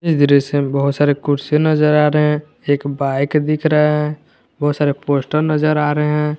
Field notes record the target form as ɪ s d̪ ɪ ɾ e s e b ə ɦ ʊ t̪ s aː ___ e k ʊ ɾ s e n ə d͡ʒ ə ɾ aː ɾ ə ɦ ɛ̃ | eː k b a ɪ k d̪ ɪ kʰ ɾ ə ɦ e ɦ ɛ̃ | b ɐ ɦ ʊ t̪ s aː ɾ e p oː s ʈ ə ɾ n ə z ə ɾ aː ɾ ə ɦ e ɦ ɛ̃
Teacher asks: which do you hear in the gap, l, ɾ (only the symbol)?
ɾ